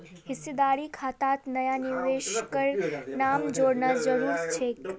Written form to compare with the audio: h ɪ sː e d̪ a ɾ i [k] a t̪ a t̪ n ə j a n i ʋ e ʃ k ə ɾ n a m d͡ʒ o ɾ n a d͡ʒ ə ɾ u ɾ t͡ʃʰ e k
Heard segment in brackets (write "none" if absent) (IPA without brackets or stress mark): kʰ